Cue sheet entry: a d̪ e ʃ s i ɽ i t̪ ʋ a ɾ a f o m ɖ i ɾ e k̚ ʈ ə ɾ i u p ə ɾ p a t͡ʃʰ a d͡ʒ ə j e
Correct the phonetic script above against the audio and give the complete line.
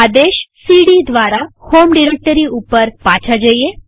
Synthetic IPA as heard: a d̪ e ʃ s i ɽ i d̪ ʋ a ɾ a h o m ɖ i ɾ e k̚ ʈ ə ɾ i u p ə ɾ p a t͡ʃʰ a d͡ʒ ə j e